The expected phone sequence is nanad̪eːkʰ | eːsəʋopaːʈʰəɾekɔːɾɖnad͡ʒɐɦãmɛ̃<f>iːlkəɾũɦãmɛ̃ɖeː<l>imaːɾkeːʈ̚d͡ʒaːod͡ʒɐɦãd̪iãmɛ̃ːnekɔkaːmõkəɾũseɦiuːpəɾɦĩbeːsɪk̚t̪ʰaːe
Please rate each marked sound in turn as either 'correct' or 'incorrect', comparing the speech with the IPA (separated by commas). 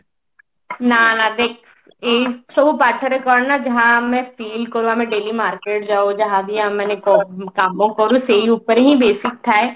correct, correct